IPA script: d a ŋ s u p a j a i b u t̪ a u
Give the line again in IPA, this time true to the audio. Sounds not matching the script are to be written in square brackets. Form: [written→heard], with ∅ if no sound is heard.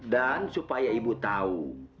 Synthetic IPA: d a [ŋ→n] s u p a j a i b u t̪ a u